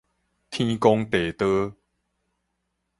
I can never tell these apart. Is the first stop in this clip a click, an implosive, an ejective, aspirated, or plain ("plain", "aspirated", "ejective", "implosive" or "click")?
aspirated